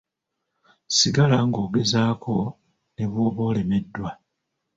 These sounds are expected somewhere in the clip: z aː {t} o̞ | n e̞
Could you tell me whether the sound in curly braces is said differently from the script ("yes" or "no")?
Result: yes